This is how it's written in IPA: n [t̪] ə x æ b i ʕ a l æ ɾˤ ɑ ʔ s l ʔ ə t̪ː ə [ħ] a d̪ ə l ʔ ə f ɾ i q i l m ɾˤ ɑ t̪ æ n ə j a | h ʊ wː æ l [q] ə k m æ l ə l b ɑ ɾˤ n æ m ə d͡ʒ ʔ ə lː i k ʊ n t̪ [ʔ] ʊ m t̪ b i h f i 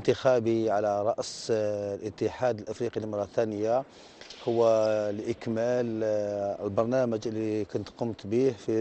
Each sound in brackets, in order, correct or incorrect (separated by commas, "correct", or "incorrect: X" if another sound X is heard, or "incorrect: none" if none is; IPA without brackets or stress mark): correct, correct, incorrect: ʔ, incorrect: q